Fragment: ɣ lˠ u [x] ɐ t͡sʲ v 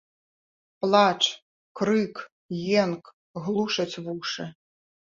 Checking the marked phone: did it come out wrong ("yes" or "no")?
yes